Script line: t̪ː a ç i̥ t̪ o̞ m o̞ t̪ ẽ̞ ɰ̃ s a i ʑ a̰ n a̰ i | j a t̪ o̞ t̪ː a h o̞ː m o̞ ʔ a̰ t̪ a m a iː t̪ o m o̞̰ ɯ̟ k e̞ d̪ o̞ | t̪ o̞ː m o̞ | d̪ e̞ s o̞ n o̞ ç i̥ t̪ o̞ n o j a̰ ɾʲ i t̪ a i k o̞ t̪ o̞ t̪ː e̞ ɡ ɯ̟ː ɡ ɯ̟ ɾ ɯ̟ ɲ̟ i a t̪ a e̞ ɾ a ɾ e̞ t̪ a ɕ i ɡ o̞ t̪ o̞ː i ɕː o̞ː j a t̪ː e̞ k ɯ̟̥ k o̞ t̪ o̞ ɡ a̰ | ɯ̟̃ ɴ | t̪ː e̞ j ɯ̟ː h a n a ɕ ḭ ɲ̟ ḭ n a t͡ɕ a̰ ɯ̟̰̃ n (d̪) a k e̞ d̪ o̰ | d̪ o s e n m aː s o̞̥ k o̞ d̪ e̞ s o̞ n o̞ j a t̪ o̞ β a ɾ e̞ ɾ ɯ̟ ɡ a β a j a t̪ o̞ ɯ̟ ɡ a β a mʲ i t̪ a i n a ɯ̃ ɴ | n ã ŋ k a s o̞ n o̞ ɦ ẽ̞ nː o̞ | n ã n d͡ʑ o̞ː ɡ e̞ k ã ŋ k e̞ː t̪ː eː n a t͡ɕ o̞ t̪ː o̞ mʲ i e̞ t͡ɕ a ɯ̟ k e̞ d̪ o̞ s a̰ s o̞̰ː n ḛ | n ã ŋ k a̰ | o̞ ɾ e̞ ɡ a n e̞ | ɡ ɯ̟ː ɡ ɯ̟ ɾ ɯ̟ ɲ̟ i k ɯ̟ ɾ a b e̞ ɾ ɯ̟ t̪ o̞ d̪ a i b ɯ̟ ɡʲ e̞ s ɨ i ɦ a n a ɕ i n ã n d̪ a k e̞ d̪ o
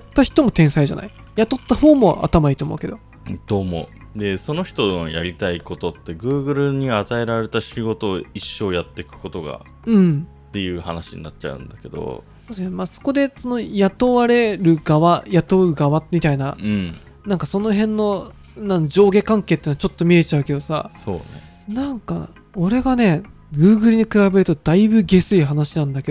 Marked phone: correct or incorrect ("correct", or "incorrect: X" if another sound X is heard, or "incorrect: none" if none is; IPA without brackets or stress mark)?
correct